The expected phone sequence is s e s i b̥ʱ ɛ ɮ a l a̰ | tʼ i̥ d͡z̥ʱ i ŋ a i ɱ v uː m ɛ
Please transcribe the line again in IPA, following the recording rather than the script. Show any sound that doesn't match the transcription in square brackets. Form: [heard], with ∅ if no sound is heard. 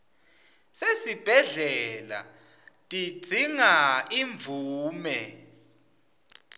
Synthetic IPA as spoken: s e s i b̥ʱ ɛ ɮ [ɛ] l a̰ | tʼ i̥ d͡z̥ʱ i ŋ a i ɱ v uː m ɛ